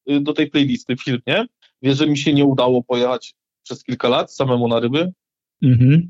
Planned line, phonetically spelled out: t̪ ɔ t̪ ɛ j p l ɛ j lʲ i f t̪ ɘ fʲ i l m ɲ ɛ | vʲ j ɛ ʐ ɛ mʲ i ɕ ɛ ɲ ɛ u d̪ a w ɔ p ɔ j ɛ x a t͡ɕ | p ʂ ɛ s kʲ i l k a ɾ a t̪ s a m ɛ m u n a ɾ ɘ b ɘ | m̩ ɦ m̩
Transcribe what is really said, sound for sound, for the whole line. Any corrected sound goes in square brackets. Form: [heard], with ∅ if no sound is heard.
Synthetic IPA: [d̪] ɔ t̪ ɛ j p l ɛ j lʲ i [s] t̪ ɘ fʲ i l m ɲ ɛ | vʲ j ɛ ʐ ɛ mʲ i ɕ ɛ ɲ ɛ u d̪ a w ɔ p ɔ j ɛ x a t͡ɕ | p ʂ ɛ s kʲ i l k a [l] a t̪ s a m ɛ m u n a ɾ ɘ b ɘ | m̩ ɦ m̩